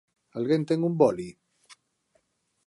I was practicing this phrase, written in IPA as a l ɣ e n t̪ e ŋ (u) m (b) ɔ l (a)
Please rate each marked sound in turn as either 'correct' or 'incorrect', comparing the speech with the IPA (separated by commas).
correct, correct, incorrect